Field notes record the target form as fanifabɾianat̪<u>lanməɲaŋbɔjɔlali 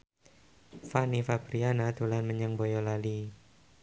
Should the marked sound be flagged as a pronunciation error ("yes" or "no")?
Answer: no